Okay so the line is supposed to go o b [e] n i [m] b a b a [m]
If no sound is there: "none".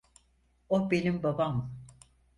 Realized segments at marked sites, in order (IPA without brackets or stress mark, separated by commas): e, m, m